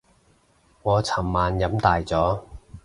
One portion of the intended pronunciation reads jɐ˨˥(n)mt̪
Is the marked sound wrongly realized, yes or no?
yes